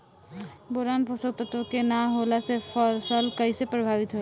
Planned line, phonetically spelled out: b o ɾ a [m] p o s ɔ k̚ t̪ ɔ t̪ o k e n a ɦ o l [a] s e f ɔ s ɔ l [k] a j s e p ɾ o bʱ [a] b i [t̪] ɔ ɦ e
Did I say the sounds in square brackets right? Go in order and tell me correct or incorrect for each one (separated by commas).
incorrect, correct, correct, correct, correct